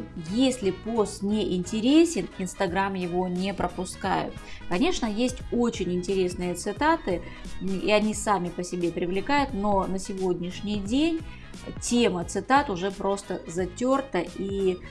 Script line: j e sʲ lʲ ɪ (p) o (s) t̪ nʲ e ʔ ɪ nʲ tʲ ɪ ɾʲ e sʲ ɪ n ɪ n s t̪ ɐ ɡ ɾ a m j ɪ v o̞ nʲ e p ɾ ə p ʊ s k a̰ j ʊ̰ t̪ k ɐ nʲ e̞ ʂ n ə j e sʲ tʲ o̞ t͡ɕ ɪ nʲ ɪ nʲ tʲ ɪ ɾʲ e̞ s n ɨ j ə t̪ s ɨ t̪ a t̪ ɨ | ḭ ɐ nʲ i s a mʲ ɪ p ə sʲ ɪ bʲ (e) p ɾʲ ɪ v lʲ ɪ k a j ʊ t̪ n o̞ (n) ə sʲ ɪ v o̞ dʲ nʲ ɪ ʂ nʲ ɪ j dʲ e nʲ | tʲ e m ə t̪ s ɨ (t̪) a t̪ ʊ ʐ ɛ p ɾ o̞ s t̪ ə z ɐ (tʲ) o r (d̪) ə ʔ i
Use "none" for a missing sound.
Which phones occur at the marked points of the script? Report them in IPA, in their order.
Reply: p, s, e, n, t̪, tʲ, t̪

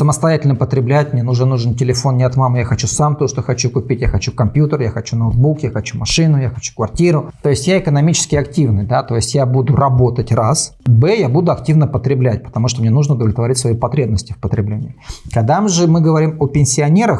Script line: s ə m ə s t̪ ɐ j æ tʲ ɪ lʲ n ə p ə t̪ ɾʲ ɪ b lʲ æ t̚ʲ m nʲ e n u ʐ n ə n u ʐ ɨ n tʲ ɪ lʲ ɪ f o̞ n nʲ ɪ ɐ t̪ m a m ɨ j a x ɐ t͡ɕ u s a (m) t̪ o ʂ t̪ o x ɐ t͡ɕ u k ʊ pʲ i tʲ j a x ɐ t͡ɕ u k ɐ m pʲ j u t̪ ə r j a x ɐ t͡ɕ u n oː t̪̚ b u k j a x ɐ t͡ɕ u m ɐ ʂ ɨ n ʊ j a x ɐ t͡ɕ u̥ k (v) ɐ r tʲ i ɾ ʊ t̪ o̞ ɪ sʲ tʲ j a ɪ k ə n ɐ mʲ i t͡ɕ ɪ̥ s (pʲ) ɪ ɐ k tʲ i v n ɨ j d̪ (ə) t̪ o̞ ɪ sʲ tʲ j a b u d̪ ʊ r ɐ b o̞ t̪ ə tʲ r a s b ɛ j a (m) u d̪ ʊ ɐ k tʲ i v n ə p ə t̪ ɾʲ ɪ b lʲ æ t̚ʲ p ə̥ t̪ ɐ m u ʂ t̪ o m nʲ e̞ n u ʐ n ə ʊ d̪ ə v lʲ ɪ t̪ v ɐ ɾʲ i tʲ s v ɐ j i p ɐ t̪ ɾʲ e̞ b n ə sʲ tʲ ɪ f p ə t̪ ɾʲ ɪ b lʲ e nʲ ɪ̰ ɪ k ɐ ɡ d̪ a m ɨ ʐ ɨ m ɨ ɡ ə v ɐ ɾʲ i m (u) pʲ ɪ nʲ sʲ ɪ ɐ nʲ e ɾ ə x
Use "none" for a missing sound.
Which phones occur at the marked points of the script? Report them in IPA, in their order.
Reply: m, v, kʲ, a, b, o

